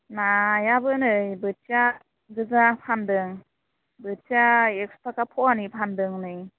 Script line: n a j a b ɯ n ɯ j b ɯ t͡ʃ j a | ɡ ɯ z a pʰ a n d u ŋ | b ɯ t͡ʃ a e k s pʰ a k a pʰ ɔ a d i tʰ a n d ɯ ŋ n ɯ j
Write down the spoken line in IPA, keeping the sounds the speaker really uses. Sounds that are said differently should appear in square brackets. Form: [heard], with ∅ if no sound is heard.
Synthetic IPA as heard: n a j a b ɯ n ɯ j b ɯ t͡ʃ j a | ɡ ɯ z a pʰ a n d [ɯ] ŋ | b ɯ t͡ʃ a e k s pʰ a k a pʰ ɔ a [n] i [pʰ] a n d ɯ ŋ n ɯ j